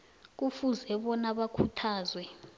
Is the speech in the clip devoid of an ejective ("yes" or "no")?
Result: yes